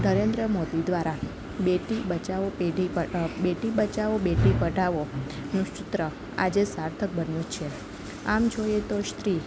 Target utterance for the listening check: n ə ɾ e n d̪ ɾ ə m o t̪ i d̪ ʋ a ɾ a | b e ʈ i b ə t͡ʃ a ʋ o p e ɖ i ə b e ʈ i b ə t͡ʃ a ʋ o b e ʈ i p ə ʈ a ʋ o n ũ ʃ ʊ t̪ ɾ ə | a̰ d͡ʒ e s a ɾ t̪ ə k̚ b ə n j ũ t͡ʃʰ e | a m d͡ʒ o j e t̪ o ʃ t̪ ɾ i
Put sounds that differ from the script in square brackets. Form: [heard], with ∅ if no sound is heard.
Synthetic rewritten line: n ə ɾ e n d̪ ɾ ə m o [d̪] i d̪ ʋ a ɾ a | b e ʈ i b ə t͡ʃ a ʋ o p e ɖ i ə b e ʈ i b ə t͡ʃ a ʋ o b e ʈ i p ə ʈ a ʋ o n ũ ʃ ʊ t̪ ɾ ə | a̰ d͡ʒ e s a ɾ [t̪ʰ] ə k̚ b ə n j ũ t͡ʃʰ e | a m d͡ʒ o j e t̪ o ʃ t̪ ɾ i